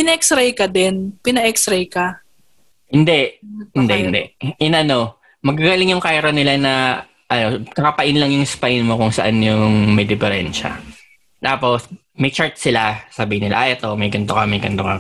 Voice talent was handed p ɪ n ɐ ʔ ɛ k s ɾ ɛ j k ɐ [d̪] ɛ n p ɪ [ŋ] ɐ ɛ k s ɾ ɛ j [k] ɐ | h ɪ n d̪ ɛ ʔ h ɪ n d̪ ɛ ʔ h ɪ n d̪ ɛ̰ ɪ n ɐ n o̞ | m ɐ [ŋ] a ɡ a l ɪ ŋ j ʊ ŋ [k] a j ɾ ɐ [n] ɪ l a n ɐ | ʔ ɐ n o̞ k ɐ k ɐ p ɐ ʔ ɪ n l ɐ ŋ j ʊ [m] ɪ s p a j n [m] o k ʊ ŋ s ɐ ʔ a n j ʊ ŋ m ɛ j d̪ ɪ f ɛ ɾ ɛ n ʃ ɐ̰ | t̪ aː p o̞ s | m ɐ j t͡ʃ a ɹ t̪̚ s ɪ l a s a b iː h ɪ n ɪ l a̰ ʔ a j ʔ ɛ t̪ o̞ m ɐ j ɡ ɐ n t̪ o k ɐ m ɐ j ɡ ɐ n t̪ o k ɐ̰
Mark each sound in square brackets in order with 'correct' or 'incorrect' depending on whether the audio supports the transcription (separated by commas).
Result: correct, incorrect, correct, incorrect, correct, correct, incorrect, correct